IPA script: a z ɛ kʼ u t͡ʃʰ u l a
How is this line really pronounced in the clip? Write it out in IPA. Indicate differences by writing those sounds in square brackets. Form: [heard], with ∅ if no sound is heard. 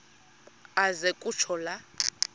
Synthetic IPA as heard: a z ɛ kʼ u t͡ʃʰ [ɔ] l a